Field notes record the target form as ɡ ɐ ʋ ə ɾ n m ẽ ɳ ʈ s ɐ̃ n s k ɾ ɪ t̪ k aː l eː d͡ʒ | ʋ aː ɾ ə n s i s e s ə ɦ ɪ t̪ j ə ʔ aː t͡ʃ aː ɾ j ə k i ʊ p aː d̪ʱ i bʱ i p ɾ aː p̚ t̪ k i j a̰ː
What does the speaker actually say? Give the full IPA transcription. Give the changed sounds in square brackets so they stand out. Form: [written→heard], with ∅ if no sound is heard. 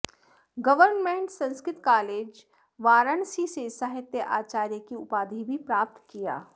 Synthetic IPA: ɡ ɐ ʋ ə ɾ n m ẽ ɳ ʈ s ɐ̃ n s k ɾ ɪ t̪ k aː l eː d͡ʒ | ʋ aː ɾ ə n s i s e s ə ɦ ɪ t̪ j ə ʔ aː t͡ʃ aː ɾ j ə k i ʊ p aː d̪ʱ i bʱ i p ɾ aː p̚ t̪ k i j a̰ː